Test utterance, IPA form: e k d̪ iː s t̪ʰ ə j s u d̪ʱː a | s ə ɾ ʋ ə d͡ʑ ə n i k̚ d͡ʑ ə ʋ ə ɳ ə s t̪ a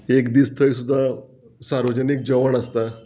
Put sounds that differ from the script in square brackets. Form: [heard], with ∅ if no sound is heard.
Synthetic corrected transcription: e k d̪ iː s t̪ʰ ə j s u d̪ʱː a | s [a] ɾ ʋ ə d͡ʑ ə n i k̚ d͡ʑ ə ʋ ə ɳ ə s t̪ a